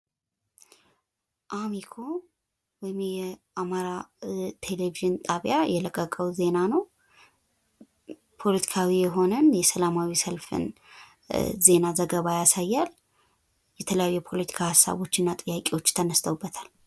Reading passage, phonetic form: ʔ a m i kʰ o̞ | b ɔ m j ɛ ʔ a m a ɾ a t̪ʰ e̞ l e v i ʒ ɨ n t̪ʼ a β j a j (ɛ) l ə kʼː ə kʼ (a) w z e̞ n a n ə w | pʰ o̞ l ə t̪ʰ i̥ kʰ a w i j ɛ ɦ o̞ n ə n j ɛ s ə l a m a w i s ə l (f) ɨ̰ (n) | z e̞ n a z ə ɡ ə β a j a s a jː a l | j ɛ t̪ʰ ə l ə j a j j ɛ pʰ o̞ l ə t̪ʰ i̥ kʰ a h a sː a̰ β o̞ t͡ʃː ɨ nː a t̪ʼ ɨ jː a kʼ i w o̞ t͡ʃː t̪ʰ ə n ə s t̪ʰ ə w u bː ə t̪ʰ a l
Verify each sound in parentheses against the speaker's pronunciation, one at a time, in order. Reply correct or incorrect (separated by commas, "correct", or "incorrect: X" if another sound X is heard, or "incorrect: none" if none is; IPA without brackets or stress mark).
correct, incorrect: ə, correct, correct